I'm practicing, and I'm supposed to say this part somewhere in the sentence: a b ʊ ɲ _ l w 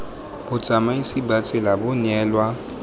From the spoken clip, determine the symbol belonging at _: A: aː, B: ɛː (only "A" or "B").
B